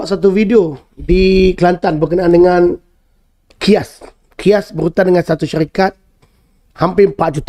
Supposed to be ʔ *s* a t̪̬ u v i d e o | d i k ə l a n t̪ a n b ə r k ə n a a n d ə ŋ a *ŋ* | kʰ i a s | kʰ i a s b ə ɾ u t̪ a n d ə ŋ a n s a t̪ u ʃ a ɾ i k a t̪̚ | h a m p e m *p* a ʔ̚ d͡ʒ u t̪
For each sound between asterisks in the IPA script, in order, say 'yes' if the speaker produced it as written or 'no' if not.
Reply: yes, no, yes

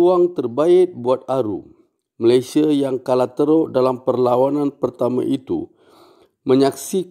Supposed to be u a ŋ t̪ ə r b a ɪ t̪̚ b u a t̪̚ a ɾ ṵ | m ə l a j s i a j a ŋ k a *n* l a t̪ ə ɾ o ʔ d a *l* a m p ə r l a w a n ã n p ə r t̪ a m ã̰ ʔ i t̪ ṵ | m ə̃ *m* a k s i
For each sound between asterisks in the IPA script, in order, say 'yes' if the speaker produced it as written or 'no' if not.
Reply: no, yes, no

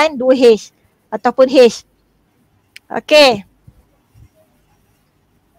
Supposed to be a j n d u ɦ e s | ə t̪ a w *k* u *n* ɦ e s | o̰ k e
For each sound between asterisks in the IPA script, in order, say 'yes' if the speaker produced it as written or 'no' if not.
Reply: no, yes

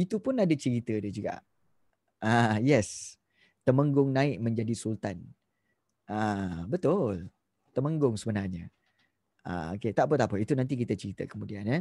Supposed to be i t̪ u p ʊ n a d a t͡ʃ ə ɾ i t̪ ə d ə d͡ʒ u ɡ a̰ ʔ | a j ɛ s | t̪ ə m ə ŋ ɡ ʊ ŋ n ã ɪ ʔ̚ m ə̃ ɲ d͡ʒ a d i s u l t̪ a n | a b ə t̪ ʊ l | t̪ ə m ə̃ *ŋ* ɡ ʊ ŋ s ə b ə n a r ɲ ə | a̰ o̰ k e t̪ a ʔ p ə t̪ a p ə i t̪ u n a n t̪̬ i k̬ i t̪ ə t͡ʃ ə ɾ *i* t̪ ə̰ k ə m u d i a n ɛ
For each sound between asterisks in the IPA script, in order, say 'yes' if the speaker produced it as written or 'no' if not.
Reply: yes, yes

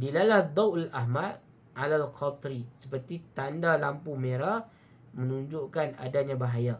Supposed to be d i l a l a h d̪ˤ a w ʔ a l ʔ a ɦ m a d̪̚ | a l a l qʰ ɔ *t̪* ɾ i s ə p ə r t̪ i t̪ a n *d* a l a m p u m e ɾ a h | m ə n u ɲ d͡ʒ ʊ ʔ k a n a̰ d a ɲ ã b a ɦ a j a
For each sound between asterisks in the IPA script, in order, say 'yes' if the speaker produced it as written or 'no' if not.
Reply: yes, yes

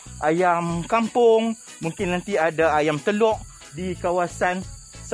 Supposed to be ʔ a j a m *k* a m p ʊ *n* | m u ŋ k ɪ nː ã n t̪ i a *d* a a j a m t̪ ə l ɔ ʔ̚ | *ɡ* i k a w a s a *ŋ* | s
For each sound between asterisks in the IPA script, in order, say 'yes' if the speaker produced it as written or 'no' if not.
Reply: yes, no, yes, no, no

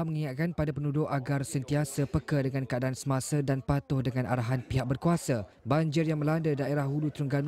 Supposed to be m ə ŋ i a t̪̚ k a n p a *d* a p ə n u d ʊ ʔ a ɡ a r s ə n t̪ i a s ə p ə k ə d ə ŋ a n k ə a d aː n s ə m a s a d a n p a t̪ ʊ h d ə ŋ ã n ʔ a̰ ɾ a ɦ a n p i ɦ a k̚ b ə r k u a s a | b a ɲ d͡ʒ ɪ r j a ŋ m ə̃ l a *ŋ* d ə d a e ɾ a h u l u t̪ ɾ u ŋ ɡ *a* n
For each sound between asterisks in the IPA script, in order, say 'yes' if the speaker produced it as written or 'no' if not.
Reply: yes, no, yes

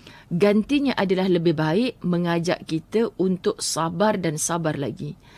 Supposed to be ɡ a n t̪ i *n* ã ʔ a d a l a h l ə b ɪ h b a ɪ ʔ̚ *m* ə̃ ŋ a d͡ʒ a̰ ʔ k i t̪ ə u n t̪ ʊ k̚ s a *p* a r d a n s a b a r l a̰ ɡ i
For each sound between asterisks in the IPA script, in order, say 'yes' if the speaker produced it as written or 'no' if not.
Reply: no, yes, no

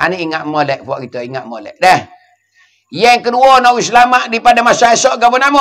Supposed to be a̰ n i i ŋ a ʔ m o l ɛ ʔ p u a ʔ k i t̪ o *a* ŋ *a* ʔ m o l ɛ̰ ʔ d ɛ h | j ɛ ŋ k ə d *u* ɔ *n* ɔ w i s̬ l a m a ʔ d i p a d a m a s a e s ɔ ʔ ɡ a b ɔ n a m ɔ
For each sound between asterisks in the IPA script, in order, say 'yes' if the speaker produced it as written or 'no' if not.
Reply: no, yes, yes, yes

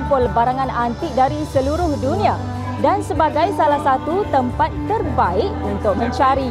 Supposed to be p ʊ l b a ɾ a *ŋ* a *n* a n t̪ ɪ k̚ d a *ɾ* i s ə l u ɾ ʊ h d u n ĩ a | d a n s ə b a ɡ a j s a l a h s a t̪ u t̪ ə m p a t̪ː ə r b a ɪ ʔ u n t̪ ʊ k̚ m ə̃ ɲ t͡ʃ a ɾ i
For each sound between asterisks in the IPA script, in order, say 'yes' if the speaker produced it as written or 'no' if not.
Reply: yes, yes, yes

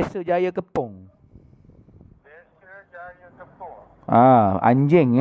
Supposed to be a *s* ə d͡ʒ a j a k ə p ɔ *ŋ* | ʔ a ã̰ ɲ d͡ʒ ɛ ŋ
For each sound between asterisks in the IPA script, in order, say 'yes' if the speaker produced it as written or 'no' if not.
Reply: yes, yes

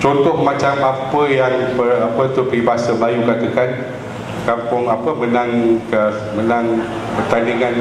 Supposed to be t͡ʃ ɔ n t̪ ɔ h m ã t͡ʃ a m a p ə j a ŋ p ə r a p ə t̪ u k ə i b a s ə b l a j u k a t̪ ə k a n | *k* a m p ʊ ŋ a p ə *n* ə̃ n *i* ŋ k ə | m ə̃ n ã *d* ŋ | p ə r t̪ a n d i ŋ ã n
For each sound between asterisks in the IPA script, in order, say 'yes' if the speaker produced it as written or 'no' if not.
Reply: yes, no, no, no

